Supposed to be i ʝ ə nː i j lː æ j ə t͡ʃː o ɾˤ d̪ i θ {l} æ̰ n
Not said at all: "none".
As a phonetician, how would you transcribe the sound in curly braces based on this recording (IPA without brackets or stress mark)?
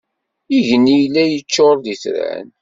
ɾ